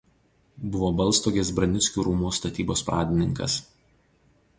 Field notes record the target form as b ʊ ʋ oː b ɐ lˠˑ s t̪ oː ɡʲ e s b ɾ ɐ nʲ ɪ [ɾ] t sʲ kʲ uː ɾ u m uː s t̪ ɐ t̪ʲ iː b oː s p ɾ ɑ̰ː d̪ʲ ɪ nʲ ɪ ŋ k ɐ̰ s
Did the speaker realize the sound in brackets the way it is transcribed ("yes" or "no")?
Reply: no